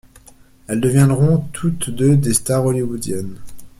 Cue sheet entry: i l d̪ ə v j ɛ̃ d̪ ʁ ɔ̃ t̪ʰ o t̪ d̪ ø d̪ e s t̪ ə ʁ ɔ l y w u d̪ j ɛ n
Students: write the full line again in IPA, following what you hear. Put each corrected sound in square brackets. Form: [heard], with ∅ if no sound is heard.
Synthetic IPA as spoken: [ɛ] l d̪ ə v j ɛ̃ d̪ ʁ ɔ̃ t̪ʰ [u] t̪ d̪ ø d̪ e s t̪ [a] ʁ ɔ l [i] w u d̪ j ɛ n